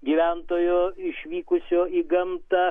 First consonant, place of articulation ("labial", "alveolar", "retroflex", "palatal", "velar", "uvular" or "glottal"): velar